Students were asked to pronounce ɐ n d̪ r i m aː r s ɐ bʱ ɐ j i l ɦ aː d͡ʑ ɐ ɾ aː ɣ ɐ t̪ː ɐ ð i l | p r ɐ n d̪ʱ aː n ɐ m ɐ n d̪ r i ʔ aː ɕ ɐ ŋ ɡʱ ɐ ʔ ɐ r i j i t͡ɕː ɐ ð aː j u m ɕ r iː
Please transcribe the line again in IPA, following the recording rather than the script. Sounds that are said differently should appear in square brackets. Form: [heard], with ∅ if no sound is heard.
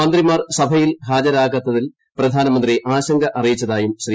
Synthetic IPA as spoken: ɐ n d̪ r i m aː r s ɐ bʱ ɐ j i l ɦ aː d͡ʑ ɐ ɾ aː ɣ ɐ t̪ː ɐ ð i l | p r ɐ [∅] d̪ʱ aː n ɐ m ɐ n d̪ r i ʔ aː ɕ ɐ ŋ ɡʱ ɐ ʔ ɐ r i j i t͡ɕː ɐ ð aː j u m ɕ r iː